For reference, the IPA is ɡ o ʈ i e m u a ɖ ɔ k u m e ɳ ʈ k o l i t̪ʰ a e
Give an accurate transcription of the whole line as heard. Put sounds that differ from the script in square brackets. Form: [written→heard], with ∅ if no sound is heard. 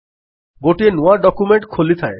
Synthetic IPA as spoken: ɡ o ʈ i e [m→n] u a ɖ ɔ k u m e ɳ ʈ [k→kʰ] o l i t̪ʰ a e